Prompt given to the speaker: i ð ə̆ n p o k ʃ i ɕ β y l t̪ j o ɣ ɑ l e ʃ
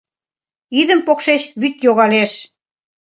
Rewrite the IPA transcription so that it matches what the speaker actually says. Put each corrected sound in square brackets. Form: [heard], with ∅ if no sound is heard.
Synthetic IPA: i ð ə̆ [m] p o k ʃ [e] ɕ β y [∅] t̪ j o ɣ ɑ l e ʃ